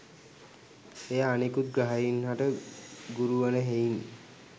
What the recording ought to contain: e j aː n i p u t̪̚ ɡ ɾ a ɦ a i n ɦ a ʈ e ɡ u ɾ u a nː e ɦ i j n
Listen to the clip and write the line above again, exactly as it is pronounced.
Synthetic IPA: e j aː n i k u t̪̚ ɡ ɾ a ɦ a i n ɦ a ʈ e ɡ u ɾ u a n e ɦ e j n